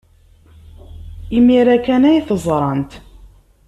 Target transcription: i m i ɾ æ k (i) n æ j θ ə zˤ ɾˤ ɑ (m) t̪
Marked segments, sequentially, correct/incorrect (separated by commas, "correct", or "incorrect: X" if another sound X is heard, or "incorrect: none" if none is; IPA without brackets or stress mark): incorrect: æ, incorrect: n